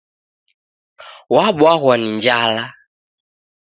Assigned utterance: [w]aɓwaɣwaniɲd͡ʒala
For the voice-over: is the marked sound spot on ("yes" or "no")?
yes